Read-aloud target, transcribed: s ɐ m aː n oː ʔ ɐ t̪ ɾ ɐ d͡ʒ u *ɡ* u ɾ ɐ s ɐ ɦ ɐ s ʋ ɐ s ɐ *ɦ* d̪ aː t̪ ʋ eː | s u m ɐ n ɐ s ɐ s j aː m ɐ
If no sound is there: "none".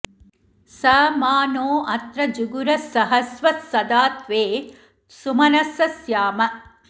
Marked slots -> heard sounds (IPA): ɡ, none

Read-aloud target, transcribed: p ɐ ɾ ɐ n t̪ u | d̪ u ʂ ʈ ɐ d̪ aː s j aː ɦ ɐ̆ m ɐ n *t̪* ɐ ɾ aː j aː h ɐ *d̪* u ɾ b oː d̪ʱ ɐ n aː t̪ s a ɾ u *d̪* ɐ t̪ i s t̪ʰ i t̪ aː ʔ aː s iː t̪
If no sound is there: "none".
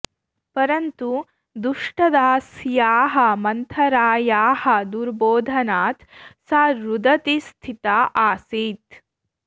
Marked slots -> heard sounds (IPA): t̪ʰ, d̪, d̪

